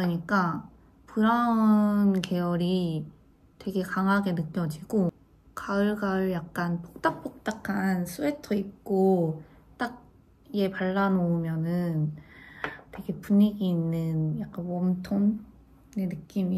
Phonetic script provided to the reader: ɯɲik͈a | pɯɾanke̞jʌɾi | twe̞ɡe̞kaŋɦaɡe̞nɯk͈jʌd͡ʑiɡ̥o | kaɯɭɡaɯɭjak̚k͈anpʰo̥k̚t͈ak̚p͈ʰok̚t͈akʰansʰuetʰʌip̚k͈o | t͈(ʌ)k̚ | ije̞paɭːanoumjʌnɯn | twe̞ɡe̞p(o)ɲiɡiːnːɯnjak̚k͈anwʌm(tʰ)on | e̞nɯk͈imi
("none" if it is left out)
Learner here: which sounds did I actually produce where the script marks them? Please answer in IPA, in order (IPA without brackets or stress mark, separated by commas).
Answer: a, u, tʰ